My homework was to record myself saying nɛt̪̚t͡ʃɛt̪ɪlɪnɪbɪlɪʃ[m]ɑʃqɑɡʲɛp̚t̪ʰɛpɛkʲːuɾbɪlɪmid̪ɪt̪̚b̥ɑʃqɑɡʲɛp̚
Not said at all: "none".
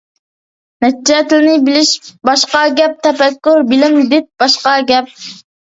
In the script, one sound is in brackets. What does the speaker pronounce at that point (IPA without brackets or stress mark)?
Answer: b